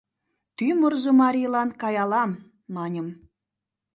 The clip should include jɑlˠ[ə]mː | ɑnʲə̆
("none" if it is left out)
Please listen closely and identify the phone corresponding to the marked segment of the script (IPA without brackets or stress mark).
ɑ